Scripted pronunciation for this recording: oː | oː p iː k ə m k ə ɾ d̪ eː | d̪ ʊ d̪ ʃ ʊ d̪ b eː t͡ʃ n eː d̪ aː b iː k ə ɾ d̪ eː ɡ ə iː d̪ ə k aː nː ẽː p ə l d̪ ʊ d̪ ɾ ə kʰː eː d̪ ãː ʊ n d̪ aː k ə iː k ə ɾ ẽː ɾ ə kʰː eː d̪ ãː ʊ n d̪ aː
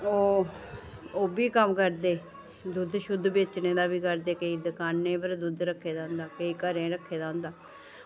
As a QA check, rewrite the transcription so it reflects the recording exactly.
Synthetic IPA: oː | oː b iː k ə m k ə ɾ d̪ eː | d̪ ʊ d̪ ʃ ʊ d̪ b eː t͡ʃ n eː d̪ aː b iː k ə ɾ d̪ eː k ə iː d̪ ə k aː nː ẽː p ə ɾ d̪ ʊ d̪ ɾ ə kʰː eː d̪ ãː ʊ n d̪ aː k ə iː k ə ɾ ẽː ɾ ə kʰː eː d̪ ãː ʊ n d̪ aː